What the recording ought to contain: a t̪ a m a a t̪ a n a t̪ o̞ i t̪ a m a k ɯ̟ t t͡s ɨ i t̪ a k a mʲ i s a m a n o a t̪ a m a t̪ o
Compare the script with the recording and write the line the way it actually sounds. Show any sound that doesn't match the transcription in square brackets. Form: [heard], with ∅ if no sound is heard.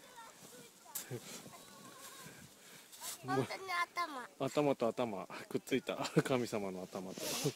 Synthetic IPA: a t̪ a m a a t̪ a [m] a t̪ o̞ [a] t̪ a m a k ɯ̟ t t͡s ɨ i t̪ a k a mʲ i s a m a n o a t̪ a m a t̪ o